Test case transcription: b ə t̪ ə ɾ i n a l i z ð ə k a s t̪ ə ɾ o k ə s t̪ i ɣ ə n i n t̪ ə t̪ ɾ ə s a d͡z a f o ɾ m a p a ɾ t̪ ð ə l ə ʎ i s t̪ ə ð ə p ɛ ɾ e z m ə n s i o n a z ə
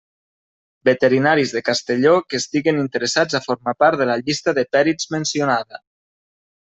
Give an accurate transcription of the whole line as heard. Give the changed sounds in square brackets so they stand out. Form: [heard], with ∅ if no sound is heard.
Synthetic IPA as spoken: b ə t̪ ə ɾ i n a [ɾ] i z ð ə k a s t̪ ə [ʎ] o k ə s t̪ i ɣ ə n i n t̪ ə [∅] ɾ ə s a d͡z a f o ɾ m a p a ɾ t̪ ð ə l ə ʎ i s t̪ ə ð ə p ɛ ɾ [i] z m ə n s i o n a [ð] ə

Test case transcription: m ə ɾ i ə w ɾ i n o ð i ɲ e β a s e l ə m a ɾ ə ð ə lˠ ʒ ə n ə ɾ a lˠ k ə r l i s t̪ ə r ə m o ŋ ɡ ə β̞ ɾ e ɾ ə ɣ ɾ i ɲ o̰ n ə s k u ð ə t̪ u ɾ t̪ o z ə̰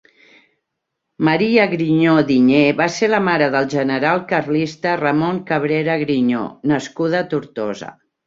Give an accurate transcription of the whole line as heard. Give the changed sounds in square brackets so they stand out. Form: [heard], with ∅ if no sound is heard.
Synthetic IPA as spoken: m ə ɾ i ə [ɣ] ɾ i [ɲ] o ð i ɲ e β a s e l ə m a ɾ ə ð ə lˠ ʒ ə n ə ɾ a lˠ k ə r l i s t̪ ə r ə m o ŋ [k] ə β̞ ɾ e ɾ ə ɣ ɾ i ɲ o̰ n ə s k u ð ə t̪ u ɾ t̪ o z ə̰

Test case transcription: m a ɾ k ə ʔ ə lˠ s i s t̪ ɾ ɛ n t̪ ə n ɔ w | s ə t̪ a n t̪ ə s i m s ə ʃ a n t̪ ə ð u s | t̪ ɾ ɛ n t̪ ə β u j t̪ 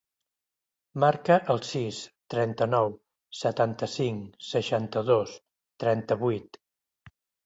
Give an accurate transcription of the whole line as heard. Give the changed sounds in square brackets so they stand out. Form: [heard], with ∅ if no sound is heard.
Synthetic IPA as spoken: m a ɾ k ə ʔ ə lˠ s i s t̪ ɾ ɛ n t̪ ə n ɔ w | s ə t̪ a n t̪ ə s i [ŋ] s ə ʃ a n t̪ ə ð [o] s | t̪ ɾ ɛ n t̪ ə β u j t̪

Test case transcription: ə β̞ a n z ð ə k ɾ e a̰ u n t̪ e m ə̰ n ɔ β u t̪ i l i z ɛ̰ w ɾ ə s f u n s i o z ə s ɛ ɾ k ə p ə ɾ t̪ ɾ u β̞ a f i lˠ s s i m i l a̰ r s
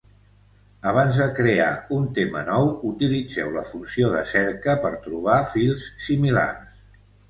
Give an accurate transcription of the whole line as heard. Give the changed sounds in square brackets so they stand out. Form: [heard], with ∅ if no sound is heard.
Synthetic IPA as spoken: ə β̞ a n z ð ə k ɾ e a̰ u n t̪ e m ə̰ n ɔ [w] u t̪ i l i [d͡z] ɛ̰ w [l] ə [∅] f u n s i o [ð] ə s ɛ ɾ k ə p ə ɾ t̪ ɾ u β̞ a f i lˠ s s i m i l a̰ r s

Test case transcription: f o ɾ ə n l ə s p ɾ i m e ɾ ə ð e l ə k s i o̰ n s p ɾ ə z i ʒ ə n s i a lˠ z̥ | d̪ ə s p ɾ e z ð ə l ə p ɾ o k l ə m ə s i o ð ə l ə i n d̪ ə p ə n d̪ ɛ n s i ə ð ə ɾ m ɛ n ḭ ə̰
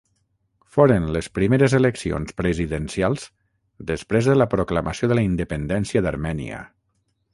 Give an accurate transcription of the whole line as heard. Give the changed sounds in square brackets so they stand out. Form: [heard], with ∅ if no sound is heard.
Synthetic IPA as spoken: f o ɾ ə n l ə s p ɾ i m e ɾ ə [z] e l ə k s i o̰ n s p ɾ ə z i [ð] ə n s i a lˠ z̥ | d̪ ə s p ɾ e z ð ə l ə p ɾ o k l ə m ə s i o ð ə l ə i n d̪ ə p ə n d̪ ɛ n s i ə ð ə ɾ m ɛ n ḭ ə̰

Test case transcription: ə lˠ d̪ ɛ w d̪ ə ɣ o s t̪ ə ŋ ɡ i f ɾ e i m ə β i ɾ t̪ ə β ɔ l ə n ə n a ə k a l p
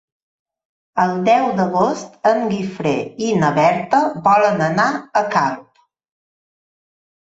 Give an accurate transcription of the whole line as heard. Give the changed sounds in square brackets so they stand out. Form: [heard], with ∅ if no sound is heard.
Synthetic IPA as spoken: ə lˠ d̪ ɛ w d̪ ə ɣ o s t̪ ə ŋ ɡ i f ɾ e i [n] ə β [ɛ] ɾ t̪ ə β ɔ l ə n ə n a ə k a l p

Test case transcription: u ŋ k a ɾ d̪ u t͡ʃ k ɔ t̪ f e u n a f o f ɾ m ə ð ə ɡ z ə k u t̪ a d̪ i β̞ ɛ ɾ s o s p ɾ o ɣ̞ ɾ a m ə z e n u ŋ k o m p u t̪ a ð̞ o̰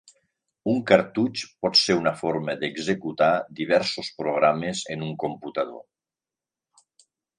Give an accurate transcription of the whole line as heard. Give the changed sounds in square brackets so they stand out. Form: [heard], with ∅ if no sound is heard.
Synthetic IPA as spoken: u ŋ k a ɾ [t̪] u t͡ʃ [p] ɔ t̪ [s] e u n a f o [∅] ɾ m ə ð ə ɡ z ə k u t̪ a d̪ i β̞ ɛ ɾ s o s p ɾ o ɣ̞ ɾ a m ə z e n u ŋ k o m p u t̪ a ð̞ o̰

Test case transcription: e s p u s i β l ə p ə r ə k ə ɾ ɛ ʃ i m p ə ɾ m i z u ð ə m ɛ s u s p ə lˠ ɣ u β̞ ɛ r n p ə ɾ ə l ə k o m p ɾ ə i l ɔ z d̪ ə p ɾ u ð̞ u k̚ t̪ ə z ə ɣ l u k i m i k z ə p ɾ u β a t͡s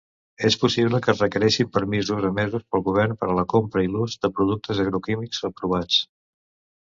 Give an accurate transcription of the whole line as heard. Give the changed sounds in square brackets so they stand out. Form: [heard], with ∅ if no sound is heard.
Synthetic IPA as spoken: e s p u s i β l ə [k] ə r ə k ə ɾ ɛ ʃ i m p ə ɾ m i z u [z] ə m ɛ [z] u s p ə lˠ ɣ u β̞ ɛ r n p ə ɾ ə l ə k o m p ɾ ə i l [u] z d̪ ə p ɾ u ð̞ u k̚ t̪ ə z ə ɣ [ɾ] u k i m i k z ə p ɾ u β a t͡s

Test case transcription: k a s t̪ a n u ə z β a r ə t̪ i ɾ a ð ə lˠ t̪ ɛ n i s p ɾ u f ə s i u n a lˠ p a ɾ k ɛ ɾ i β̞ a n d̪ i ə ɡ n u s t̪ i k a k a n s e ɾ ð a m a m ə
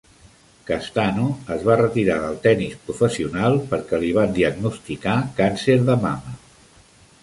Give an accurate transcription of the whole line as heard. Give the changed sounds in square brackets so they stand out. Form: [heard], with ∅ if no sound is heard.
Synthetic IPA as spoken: k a s t̪ a n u ə z β a r ə t̪ i ɾ a ð ə lˠ t̪ ɛ n i s p ɾ u f ə s i u n a lˠ p [ə] ɾ k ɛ [l] i β̞ a n d̪ i ə ɡ n u s t̪ i k a k a n s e ɾ ð [ə] m a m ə

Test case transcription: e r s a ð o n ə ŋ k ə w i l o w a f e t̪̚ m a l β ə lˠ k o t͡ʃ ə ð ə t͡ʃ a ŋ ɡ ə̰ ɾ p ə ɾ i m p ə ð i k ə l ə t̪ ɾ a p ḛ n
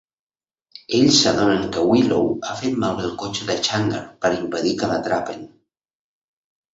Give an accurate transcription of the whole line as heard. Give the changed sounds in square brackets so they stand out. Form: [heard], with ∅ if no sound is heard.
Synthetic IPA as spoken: e [ʎ] s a ð o n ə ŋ k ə w i l o w a f e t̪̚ m a l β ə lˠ k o t͡ʃ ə ð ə t͡ʃ a ŋ ɡ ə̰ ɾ p ə ɾ i m p ə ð i k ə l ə t̪ ɾ a p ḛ n

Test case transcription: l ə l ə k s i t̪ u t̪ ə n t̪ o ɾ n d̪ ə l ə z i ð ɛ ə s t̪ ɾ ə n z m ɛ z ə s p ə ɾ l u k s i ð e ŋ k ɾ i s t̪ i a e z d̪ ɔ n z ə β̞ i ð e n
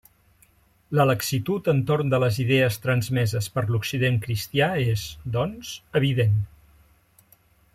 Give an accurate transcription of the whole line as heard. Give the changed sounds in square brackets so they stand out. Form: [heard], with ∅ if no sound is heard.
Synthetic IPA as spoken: l ə l ə k s i t̪ u t̪ ə n t̪ o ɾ n d̪ ə l ə z i ð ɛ ə s t̪ ɾ ə n z m ɛ z ə s p ə ɾ l u k s i ð e ŋ k ɾ i s t̪ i a e z d̪ ɔ n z ə β̞ i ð e n

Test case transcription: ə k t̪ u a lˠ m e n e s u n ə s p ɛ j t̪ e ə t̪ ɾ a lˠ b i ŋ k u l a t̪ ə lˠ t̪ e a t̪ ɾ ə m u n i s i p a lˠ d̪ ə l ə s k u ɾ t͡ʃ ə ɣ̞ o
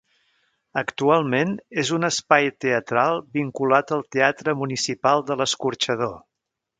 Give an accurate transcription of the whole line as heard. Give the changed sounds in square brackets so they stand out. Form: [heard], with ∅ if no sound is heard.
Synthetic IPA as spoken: ə k t̪ u a lˠ m e n e [z] u n ə s p [a] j t̪ e ə t̪ ɾ a lˠ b i ŋ k u l a t̪ ə lˠ t̪ e a t̪ ɾ ə m u n i s i p a lˠ d̪ ə l ə s k u ɾ t͡ʃ ə [ð̞] o

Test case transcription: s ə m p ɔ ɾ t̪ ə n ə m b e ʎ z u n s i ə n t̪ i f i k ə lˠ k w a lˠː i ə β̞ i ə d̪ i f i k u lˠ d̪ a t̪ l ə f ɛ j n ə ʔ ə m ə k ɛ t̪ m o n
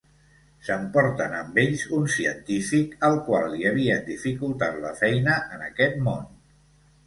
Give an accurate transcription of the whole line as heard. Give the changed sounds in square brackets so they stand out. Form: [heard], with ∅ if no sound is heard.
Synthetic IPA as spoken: s ə m p ɔ ɾ t̪ ə n ə m b e ʎ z u n s i ə n t̪ i f i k ə lˠ k w a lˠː i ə β̞ i ə d̪ i f i k u lˠ [t̪] a t̪ l ə f ɛ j n ə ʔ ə [n] ə k ɛ t̪ m o n

